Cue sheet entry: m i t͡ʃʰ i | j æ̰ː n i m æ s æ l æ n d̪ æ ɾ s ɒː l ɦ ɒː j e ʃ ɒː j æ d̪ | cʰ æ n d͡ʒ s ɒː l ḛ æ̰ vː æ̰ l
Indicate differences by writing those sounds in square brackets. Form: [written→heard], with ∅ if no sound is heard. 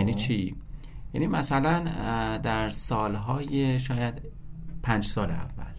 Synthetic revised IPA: [m→n] i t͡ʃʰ i | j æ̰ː n i m æ s æ l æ n d̪ æ ɾ s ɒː l ɦ ɒː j e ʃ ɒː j æ d̪ | [cʰ→pʰ] æ n d͡ʒ s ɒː l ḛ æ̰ vː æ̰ l